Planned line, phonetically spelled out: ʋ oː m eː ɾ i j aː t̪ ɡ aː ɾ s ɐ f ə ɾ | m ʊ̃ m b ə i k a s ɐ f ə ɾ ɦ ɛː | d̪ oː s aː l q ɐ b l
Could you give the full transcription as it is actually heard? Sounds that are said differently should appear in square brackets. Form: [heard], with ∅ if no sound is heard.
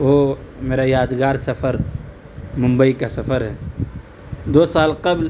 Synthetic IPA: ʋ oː m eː ɾ [a] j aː [d̪] ɡ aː ɾ s ɐ f ə ɾ | m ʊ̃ m b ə i k a s ɐ f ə ɾ ɦ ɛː | d̪ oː s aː l q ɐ b l